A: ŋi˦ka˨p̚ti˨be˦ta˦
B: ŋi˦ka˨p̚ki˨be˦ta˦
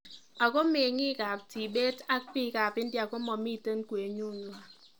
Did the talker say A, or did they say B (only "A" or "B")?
A